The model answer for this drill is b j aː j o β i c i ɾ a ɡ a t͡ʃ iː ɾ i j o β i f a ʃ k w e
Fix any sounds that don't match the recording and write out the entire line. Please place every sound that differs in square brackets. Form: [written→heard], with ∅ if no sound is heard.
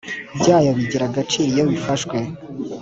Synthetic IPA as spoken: b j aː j o β i [c→ɟ] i ɾ a ɡ a t͡ʃ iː ɾ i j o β i f a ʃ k w e